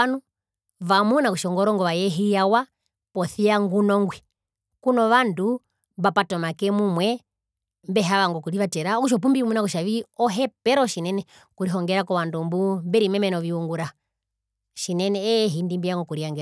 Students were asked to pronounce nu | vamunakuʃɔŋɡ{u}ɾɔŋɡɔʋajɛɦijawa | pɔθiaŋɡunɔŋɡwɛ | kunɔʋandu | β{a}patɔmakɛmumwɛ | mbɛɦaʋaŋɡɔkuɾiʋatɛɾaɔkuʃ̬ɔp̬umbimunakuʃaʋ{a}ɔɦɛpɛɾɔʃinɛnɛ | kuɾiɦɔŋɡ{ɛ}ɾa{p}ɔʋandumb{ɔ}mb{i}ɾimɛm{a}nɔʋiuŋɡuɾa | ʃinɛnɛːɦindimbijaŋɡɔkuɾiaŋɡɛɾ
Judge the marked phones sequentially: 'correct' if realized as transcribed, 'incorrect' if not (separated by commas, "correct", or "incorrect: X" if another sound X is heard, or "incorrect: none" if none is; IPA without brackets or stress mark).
incorrect: ɔ, correct, incorrect: i, correct, incorrect: k, incorrect: u, incorrect: ɛ, incorrect: ɛ